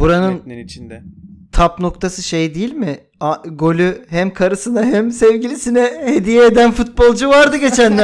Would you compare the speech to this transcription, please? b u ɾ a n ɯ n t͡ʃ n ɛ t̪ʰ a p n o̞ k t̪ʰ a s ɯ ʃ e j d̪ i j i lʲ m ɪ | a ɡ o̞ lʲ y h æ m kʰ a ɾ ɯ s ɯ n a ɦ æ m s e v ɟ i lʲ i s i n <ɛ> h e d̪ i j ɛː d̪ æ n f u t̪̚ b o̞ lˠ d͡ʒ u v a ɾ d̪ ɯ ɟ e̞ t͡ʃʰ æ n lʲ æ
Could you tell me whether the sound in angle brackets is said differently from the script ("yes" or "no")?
no